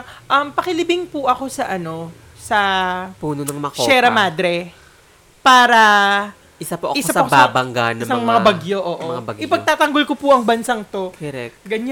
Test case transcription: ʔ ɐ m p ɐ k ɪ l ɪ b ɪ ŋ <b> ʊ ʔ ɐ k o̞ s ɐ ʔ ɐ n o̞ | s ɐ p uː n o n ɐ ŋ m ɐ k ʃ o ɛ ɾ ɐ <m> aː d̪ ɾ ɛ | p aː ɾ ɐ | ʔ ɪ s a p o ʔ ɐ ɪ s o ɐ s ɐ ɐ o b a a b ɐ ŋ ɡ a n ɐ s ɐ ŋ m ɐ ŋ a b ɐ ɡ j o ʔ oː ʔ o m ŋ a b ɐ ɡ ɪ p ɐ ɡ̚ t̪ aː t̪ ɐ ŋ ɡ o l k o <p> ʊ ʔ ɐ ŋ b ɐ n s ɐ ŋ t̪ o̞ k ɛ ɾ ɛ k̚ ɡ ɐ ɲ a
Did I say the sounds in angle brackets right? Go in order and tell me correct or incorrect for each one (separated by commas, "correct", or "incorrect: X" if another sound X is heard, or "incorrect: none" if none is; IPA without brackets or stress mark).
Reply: incorrect: p, correct, correct